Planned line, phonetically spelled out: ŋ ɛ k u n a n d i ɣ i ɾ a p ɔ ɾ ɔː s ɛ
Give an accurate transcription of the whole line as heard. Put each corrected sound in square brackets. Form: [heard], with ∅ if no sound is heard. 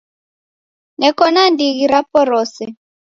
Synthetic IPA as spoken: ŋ ɛ k [ɔ] n a n d i ɣ i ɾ a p ɔ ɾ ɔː s ɛ